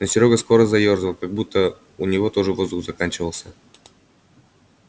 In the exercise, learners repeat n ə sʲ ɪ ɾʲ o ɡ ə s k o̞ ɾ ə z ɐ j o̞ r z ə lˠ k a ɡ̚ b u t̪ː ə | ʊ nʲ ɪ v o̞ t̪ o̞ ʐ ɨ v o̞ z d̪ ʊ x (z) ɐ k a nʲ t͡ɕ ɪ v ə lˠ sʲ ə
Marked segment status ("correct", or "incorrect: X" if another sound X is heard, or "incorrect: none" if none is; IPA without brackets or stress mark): correct